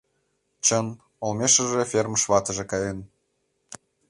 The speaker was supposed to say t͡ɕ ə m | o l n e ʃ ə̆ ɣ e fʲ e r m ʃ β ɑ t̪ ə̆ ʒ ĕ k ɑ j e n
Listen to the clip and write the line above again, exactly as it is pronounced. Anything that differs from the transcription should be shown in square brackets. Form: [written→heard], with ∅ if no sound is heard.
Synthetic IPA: t͡ɕ ə [m→n] | o l [n→m] e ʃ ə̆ [ɣ→ʒ] e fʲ e r m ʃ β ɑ t̪ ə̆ ʒ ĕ k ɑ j e n